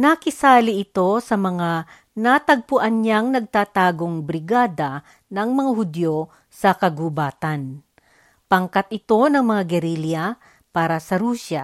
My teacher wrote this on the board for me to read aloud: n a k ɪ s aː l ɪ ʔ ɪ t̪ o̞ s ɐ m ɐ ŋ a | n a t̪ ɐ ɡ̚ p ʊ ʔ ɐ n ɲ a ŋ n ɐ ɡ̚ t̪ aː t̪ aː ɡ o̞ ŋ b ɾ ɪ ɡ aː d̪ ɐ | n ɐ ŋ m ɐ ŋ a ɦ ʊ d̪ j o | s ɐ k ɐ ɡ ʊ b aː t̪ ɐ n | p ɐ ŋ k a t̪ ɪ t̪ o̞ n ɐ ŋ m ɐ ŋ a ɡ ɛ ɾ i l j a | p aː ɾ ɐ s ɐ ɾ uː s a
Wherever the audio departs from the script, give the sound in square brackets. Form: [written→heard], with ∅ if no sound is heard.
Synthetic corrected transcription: n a k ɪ s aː l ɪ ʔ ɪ t̪ o̞ s ɐ m ɐ ŋ a | n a t̪ ɐ ɡ̚ p ʊ ʔ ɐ n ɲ a ŋ n ɐ ɡ̚ t̪ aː t̪ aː ɡ o̞ ŋ b ɾ ɪ ɡ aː d̪ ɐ | n ɐ ŋ m ɐ ŋ a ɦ ʊ d̪ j o | s ɐ k ɐ ɡ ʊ b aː t̪ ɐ n | p ɐ ŋ k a t̪ ɪ t̪ o̞ n ɐ ŋ m ɐ ŋ a ɡ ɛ ɾ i l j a | p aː ɾ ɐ s ɐ ɾ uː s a